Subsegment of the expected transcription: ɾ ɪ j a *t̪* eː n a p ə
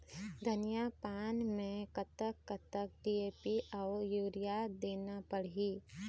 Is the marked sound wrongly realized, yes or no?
yes